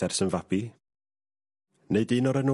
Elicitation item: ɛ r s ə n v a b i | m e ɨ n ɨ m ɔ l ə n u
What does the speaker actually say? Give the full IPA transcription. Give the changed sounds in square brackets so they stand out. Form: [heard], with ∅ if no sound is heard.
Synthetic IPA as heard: ɛ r s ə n v a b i | [n] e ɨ [d] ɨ [n] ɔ [ɾ] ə n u